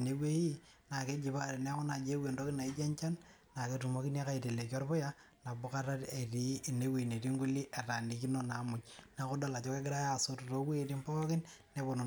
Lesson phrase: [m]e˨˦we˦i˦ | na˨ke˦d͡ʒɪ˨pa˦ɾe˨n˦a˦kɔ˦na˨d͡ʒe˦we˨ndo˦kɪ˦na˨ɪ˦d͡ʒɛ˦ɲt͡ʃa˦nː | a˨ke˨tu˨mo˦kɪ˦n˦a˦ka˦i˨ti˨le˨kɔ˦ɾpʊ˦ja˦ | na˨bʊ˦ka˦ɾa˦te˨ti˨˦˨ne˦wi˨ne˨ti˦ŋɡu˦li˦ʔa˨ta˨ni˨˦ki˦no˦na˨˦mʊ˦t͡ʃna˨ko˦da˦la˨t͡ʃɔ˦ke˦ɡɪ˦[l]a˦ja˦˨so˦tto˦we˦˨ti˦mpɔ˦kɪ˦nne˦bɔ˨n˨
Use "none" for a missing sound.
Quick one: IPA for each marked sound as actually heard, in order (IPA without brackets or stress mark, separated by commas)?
n, ɾ